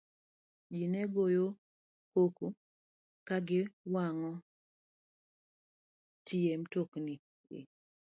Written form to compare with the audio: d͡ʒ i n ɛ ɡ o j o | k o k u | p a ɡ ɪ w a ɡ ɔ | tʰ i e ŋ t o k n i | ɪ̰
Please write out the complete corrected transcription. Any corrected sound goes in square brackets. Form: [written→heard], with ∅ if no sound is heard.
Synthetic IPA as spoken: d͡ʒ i n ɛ ɡ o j o | k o k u | [p→k] a ɡ ɪ w a [ɡ→ŋ] ɔ | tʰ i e [ŋ→m] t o k n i | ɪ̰